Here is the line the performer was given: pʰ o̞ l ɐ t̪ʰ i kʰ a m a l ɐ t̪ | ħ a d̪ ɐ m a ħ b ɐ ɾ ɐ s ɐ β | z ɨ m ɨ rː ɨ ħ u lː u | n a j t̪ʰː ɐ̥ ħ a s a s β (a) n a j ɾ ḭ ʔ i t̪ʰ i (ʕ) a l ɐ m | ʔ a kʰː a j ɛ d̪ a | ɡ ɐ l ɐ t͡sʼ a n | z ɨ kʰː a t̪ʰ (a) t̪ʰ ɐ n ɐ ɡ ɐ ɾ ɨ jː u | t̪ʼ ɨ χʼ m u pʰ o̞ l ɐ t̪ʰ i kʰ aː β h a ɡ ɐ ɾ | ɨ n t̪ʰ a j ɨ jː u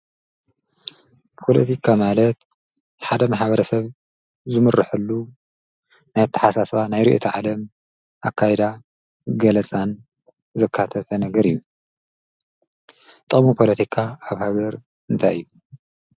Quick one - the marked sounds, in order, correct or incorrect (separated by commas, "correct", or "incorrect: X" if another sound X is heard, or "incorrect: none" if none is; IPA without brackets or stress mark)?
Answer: correct, correct, incorrect: ɐ